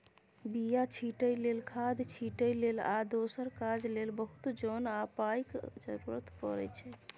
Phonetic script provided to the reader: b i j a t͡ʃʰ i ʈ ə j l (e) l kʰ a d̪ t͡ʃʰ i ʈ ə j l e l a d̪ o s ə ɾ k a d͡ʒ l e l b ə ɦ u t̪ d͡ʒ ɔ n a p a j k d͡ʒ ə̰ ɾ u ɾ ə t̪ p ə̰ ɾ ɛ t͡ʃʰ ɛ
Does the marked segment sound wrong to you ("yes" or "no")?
no